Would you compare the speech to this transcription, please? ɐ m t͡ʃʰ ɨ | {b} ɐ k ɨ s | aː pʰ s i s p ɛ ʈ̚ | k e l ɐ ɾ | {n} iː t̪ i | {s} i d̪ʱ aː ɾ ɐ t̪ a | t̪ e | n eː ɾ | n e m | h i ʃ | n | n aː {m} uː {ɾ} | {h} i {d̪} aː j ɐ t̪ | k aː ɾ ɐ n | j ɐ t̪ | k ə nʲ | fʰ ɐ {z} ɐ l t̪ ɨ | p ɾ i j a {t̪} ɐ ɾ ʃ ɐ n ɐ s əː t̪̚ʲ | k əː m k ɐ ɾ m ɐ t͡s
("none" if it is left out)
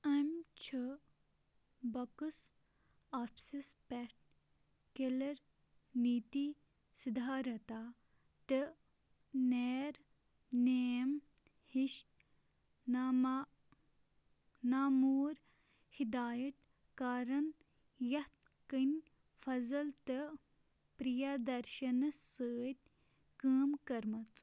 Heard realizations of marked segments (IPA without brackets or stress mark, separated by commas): b, n, s, m, ɾ, h, d̪, z, d̪